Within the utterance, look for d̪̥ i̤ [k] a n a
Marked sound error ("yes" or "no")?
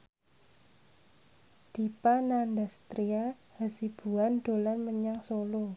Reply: yes